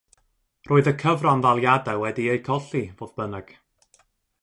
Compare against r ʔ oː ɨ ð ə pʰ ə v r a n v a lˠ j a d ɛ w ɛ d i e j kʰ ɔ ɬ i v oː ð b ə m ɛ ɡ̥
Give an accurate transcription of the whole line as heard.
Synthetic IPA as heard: r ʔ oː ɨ ð ə kʰ ə v r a n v a lˠ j a d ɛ w ɛ d i e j kʰ ɔ ɬ i v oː ð b ə n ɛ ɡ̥